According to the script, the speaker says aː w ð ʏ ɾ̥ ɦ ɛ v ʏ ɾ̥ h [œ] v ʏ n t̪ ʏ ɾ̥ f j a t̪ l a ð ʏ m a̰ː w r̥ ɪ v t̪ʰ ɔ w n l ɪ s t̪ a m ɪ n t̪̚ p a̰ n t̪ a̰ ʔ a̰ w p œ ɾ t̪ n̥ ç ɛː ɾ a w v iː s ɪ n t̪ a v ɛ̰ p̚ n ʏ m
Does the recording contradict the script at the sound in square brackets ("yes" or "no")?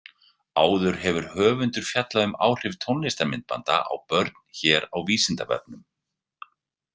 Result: yes